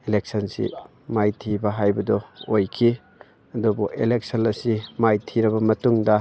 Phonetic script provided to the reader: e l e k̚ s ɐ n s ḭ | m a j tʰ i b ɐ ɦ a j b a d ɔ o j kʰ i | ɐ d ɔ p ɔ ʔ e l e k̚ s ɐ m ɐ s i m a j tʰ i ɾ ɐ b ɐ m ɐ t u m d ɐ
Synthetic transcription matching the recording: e l e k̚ s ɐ n s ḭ | m a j tʰ i b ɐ ɦ a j b ɐ d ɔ o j kʰ i | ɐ d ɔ b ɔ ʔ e l e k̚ s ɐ n ɐ s i m a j tʰ i ɾ ɐ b ɐ m ɐ t u ŋ d ɐ